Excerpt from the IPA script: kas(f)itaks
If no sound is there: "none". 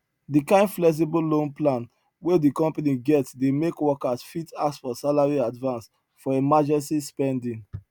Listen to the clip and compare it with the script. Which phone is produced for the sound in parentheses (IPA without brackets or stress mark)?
f